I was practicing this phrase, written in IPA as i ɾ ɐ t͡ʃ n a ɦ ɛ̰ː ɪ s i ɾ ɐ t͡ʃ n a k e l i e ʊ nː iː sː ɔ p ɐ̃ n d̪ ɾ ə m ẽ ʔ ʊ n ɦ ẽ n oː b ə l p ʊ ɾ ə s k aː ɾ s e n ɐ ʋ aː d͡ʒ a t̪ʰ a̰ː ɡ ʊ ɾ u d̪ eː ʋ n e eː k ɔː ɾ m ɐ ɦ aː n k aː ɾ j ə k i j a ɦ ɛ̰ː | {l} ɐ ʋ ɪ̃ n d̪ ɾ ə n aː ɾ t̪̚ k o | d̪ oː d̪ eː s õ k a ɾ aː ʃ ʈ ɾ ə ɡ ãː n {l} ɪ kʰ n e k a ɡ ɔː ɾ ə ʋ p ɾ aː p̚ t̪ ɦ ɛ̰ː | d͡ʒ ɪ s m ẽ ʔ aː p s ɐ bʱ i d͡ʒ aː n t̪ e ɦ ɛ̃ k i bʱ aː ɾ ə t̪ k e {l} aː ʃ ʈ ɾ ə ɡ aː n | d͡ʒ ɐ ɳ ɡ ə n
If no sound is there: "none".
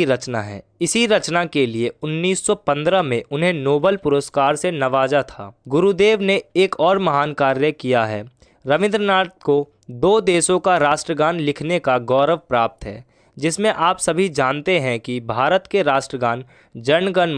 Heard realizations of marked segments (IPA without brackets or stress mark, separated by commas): ɾ, l, ɾ